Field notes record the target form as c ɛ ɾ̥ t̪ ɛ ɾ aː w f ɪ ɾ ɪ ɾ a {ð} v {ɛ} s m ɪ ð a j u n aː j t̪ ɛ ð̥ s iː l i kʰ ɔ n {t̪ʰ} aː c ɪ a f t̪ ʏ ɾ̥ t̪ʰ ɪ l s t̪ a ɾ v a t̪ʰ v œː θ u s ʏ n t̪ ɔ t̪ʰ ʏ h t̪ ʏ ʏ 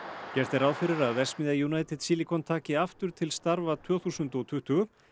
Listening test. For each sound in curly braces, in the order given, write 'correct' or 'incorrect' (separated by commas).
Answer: correct, correct, correct